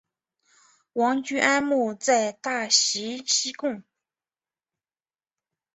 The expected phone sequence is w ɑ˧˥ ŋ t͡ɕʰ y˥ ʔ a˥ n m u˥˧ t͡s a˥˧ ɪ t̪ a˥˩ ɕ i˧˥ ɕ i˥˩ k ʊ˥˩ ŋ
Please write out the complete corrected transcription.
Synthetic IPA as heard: w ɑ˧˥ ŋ t͡ɕ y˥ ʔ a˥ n m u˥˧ t͡s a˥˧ ɪ t̪ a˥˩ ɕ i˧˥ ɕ i˥ k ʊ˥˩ ŋ